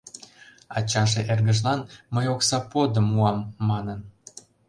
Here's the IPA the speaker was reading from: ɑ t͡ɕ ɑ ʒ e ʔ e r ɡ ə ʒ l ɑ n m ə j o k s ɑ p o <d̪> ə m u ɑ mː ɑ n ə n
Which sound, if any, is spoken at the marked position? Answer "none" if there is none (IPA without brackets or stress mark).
d̪